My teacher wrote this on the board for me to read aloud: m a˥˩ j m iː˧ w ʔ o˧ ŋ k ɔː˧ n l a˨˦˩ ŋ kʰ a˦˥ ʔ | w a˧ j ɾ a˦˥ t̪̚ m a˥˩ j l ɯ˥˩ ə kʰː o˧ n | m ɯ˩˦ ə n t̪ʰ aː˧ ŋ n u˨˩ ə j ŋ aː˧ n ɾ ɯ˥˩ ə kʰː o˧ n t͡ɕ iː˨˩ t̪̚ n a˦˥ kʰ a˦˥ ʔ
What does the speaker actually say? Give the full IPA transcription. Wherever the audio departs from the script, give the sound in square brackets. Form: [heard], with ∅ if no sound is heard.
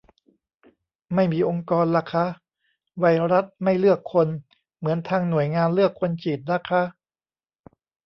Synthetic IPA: m a˥˩ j m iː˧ [∅] ʔ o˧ ŋ k ɔː˧ n l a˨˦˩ [∅] kʰ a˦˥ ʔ | w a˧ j ɾ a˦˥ t̪̚ m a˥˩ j l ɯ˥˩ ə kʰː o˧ n | m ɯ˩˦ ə n t̪ʰ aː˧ ŋ n u˨˩ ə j ŋ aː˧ n [l] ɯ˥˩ ə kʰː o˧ n t͡ɕ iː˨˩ t̪̚ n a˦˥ kʰ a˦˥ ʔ

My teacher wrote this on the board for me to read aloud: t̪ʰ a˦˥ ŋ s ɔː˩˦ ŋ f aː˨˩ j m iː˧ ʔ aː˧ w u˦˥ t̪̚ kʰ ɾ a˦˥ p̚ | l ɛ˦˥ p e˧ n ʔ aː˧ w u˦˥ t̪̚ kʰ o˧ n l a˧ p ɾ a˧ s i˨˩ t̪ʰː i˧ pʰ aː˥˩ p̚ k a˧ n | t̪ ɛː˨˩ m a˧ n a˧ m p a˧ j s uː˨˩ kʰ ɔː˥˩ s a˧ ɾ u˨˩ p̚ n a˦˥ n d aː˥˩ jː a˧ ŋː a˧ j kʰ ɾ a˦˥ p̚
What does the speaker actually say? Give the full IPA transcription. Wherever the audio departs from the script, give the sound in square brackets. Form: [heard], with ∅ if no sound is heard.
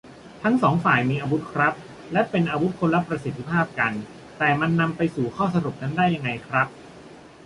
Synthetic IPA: t̪ʰ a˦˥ ŋ s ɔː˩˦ ŋ f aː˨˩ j m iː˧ ʔ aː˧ w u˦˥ t̪̚ kʰ ɾ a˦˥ p̚ | l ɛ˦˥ p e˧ n ʔ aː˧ w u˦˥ t̪̚ kʰ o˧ n l [a˦˥] p ɾ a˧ s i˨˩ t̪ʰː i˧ pʰ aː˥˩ p̚ k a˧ n | t̪ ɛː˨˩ m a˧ [nː] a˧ m p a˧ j s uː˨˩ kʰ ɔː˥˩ s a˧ ɾ u˨˩ p̚ n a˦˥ n d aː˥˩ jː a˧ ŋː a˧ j kʰ ɾ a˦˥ p̚

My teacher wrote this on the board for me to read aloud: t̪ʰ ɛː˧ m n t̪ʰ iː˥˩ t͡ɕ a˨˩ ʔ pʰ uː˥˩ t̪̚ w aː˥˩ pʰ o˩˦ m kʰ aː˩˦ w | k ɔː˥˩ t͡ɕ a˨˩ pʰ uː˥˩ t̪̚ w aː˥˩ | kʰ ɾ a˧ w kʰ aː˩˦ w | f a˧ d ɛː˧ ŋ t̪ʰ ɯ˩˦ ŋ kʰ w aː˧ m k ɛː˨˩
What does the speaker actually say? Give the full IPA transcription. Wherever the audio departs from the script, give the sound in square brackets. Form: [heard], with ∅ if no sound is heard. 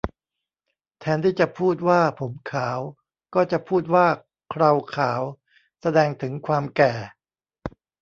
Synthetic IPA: t̪ʰ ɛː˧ [∅] n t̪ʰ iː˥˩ t͡ɕ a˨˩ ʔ pʰ uː˥˩ t̪̚ w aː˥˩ pʰ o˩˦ m kʰ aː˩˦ w | k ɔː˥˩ t͡ɕ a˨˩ pʰ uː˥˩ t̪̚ w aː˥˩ | kʰ ɾ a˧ w kʰ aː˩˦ w | [s] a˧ d ɛː˧ ŋ t̪ʰ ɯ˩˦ ŋ kʰ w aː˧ m k ɛː˨˩

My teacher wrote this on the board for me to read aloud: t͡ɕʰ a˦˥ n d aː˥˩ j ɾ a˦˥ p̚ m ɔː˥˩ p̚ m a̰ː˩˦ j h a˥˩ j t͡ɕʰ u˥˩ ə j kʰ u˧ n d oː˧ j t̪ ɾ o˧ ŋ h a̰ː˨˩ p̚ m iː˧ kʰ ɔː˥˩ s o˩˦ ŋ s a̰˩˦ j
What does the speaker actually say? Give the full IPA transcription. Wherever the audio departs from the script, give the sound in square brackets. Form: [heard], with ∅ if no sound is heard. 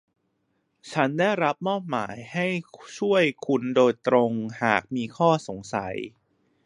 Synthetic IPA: t͡ɕʰ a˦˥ n d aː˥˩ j ɾ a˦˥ p̚ m ɔː˥˩ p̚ m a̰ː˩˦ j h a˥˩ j t͡ɕʰ u˥˩ ə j kʰ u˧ n d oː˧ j t̪ ɾ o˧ ŋ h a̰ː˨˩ [k̚] m iː˧ kʰ ɔː˥˩ s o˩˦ ŋ s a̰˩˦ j

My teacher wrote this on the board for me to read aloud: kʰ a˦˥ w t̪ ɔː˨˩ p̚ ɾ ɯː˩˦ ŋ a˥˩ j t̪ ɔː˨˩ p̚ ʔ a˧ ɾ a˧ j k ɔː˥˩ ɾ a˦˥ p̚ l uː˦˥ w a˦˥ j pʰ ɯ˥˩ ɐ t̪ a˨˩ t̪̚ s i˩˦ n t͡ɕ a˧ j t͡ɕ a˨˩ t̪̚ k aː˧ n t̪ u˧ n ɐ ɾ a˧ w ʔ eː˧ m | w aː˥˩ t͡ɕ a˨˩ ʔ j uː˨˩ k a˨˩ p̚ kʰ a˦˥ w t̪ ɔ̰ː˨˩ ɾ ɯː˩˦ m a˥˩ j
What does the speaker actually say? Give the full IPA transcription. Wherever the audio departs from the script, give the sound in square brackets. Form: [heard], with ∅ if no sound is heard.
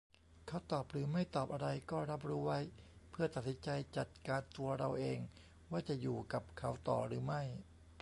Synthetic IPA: kʰ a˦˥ w t̪ ɔː˨˩ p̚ ɾ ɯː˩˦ [m] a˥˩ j t̪ ɔː˨˩ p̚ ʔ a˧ ɾ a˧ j k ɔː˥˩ ɾ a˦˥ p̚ [ɾ] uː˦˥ w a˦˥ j pʰ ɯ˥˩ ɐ t̪ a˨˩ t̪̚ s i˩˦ n t͡ɕ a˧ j t͡ɕ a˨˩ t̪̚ k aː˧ n t̪ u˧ [∅] ɐ ɾ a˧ w ʔ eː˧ [ŋ] | w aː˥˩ t͡ɕ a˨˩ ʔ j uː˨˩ k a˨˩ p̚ kʰ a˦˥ w t̪ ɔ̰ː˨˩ ɾ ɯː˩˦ m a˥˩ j

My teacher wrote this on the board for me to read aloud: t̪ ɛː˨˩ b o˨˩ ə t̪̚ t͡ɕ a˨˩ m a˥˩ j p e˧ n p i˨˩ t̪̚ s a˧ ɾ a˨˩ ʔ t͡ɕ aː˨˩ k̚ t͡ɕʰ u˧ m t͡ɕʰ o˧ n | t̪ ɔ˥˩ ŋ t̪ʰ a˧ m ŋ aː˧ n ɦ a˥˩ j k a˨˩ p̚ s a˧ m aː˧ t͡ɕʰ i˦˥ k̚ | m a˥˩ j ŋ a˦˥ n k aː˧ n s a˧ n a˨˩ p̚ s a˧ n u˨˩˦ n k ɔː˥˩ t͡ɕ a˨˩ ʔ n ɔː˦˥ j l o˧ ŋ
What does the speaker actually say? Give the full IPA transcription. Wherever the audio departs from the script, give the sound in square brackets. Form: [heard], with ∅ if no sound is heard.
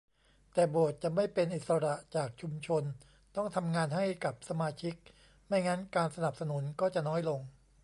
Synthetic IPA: t̪ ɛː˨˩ b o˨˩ ə t̪̚ t͡ɕ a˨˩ m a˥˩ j p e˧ n [ʔ] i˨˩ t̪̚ s a˧ ɾ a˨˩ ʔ t͡ɕ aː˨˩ k̚ t͡ɕʰ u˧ m t͡ɕʰ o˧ n | t̪ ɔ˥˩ ŋ t̪ʰ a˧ m ŋ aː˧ n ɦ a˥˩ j k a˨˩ p̚ s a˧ m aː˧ t͡ɕʰ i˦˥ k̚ | m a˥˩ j ŋ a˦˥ n k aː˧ n s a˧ n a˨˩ p̚ s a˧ n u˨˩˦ n k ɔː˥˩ t͡ɕ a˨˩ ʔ n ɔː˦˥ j l o˧ ŋ

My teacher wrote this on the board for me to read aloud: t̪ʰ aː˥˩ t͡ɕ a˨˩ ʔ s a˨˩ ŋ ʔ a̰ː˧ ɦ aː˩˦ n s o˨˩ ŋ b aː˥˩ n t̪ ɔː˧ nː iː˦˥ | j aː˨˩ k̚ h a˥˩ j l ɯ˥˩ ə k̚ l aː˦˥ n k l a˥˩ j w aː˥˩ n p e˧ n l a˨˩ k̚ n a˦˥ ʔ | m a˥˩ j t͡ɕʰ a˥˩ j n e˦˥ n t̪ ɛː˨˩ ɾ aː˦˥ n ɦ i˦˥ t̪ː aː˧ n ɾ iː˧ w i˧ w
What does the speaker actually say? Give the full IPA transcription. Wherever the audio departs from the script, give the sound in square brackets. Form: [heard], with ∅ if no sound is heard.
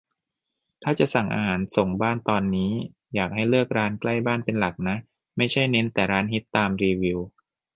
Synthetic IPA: t̪ʰ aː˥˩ t͡ɕ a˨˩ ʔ s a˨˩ ŋ ʔ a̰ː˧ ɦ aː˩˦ n s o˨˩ ŋ b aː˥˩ n t̪ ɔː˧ nː iː˦˥ | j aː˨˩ k̚ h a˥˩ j l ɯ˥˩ ə k̚ [ɾ] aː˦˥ n k l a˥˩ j [b] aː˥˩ n p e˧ n l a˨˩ k̚ n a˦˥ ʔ | m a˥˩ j t͡ɕʰ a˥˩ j n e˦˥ n t̪ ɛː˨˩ ɾ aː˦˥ n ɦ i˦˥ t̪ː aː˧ [m] ɾ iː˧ w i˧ w

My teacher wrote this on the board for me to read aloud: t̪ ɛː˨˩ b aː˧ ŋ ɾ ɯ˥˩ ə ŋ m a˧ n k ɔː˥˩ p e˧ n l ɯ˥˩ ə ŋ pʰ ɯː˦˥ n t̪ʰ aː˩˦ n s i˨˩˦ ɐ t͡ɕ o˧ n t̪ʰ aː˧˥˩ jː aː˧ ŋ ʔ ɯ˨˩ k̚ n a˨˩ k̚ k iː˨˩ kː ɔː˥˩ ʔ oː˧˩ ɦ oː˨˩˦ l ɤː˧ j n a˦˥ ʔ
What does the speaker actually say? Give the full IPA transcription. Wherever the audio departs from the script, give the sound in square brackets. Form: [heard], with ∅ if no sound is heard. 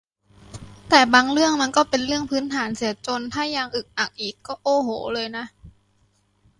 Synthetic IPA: t̪ ɛː˨˩ b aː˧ ŋ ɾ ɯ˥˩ ə ŋ m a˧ n k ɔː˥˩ p e˧ n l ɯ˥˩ ə ŋ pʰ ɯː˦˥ n t̪ʰ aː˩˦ n s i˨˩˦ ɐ t͡ɕ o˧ n t̪ʰ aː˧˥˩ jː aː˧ ŋ ʔ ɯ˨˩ k̚ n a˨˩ k̚ [ʔ] iː˨˩ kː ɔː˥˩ ʔ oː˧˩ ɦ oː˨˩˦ l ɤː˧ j n a˦˥ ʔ

